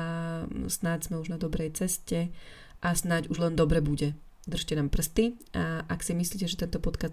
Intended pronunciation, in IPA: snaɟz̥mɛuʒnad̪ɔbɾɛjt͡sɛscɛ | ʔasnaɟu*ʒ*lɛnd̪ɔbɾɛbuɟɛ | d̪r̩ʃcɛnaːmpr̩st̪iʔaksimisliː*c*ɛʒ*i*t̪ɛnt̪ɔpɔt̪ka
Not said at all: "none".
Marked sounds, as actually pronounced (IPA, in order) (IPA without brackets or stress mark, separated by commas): ʒ, c, ɛ